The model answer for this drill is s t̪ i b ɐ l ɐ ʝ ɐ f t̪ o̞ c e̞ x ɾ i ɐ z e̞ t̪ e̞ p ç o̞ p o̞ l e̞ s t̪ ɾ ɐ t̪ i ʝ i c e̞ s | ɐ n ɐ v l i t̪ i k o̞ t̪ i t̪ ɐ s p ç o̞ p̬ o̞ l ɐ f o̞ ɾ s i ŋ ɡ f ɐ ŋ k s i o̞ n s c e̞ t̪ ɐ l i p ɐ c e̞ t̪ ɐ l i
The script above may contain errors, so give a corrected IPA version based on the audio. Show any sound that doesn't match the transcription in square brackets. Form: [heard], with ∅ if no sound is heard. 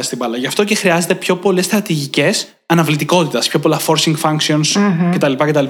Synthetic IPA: s t̪ i b ɐ l ɐ ʝ ɐ f t̪ o̞ c e̞ x ɾ i ɐ z e̞ t̪ e̞ p ç o̞ p o̞ l e̞ s t̪ ɾ ɐ t̪ i ʝ i c e̞ s | ɐ n ɐ v l i t̪ i k o̞ t̪ i t̪ ɐ s p ç o̞ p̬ o̞ l ɐ f o̞ ɾ s i ŋ ɡ f ɐ ŋ k s i o̞ n s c e̞ t̪ ɐ l i p ɐ c e̞ t̪ ɐ l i